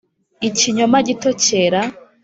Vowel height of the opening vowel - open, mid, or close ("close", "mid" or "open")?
close